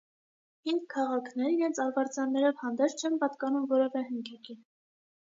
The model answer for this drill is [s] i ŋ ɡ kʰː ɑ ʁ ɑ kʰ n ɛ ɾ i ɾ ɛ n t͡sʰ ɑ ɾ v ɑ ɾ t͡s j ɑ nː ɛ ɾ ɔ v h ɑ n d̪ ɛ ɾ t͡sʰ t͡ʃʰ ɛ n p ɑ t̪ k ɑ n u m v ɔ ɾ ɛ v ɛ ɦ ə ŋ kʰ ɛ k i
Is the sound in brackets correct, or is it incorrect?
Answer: incorrect